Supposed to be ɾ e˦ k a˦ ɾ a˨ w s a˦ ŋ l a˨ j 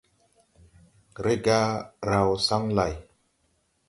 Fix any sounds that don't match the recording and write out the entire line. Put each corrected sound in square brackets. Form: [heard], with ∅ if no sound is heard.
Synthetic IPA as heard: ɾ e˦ [ɡ] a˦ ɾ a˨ w s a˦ ŋ l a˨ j